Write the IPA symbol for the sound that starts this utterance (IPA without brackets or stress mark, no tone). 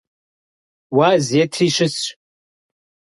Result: w